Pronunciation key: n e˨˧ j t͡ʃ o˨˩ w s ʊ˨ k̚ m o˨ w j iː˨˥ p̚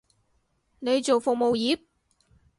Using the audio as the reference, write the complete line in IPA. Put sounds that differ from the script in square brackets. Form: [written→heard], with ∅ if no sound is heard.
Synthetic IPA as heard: n e˨˧ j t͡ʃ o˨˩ w [s→f] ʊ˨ k̚ m o˨ w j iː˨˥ p̚